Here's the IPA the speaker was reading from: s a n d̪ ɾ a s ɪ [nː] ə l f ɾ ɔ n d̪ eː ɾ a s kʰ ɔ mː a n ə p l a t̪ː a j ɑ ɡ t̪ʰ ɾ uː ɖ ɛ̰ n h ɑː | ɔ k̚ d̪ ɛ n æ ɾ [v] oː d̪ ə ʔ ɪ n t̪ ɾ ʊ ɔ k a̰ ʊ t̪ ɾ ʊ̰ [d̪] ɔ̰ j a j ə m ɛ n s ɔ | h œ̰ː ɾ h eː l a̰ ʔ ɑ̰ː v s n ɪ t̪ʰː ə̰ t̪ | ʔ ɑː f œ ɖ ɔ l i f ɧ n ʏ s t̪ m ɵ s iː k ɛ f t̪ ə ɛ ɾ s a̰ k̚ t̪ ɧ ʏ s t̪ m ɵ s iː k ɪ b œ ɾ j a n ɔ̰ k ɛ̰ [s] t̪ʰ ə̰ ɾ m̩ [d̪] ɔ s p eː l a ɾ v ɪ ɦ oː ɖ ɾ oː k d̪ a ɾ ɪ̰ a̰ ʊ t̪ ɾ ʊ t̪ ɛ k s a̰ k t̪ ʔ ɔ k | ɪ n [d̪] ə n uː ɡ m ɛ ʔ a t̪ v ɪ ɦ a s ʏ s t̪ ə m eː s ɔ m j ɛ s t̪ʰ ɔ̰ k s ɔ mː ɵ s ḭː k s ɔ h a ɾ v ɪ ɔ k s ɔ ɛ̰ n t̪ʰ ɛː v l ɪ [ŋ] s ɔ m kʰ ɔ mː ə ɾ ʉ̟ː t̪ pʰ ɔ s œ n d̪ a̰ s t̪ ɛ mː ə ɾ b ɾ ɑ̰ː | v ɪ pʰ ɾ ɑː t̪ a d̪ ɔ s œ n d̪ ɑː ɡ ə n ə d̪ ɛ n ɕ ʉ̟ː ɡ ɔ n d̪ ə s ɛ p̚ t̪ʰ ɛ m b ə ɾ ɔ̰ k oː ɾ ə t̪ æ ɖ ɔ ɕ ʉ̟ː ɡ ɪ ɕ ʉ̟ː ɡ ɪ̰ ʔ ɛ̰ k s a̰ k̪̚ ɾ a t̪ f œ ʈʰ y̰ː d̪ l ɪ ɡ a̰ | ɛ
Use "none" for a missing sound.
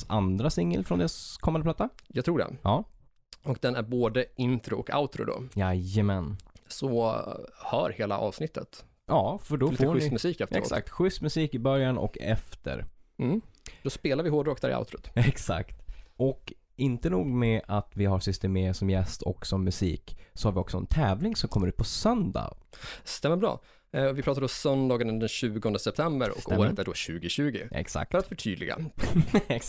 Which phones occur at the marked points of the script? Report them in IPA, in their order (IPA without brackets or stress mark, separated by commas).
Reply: ŋː, b, d̪, f, d̪, t̪, ŋ